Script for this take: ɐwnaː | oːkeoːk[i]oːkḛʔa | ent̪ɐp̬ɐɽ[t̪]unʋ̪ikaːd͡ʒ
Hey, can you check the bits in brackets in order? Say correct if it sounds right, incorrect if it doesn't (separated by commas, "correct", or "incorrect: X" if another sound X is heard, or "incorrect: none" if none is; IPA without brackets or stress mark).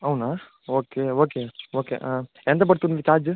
incorrect: e, correct